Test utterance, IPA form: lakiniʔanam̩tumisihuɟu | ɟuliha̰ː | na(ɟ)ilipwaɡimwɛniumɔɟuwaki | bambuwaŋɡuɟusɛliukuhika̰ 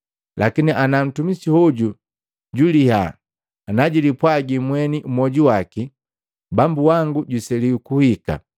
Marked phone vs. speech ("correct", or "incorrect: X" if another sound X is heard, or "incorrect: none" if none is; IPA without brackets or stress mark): correct